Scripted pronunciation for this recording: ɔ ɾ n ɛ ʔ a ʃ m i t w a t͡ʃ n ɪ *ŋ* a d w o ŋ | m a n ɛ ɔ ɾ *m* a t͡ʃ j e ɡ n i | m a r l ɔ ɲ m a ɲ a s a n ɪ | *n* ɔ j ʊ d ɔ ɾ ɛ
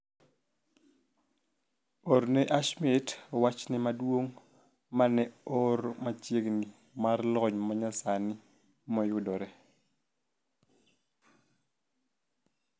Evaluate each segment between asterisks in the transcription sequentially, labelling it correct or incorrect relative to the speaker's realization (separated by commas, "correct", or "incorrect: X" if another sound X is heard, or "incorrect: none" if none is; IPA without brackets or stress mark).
incorrect: m, correct, incorrect: m